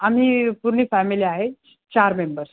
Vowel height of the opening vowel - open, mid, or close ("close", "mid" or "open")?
open